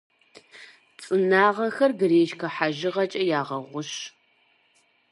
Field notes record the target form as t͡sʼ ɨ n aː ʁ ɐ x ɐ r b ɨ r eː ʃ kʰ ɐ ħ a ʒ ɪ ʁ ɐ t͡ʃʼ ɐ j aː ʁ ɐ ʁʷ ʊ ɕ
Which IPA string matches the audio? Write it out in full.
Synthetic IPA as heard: t͡sʼ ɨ n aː ʁ ɐ x ɐ r ɡ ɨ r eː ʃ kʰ ɐ ħ a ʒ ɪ ʁ ɐ t͡ʃʼ ɐ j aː ʁ ɐ ʁʷ ʊ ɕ